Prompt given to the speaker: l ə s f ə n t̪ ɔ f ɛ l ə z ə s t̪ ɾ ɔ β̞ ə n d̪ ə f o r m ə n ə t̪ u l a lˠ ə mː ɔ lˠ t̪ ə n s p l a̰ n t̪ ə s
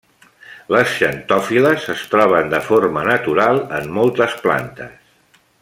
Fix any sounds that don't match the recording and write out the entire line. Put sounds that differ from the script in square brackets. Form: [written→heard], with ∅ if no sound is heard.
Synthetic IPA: l ə s [f→ʃ] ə n t̪ ɔ f [ɛ→i] l ə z ə s t̪ ɾ ɔ β̞ ə n d̪ ə f o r m ə n ə t̪ u [l→ɾ] a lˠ ə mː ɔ lˠ t̪ ə [n→∅] s p l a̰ n t̪ ə s